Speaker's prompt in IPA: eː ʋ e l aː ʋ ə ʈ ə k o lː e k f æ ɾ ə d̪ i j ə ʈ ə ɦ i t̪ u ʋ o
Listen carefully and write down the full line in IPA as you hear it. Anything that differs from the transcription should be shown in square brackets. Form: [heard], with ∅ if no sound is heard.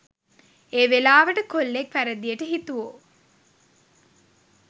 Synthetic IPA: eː ʋ e l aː ʋ ə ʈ ə k o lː e k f æ ɾ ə d̪ i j ə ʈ ə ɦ i t̪ u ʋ o